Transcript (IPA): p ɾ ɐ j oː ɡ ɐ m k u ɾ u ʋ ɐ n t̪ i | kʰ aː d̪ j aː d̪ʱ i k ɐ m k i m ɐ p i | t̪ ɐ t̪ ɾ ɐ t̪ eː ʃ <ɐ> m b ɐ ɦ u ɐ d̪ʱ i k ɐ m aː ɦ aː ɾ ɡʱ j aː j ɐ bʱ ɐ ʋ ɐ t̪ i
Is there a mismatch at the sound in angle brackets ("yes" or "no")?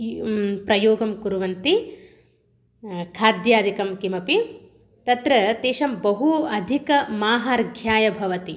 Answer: no